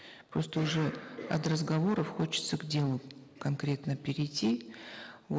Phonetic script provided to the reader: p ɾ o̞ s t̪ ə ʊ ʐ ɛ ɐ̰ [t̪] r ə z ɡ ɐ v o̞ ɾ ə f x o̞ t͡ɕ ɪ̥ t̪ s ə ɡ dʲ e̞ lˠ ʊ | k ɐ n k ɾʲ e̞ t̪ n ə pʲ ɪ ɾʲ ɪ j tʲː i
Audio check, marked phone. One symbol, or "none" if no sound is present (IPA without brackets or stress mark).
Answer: t̪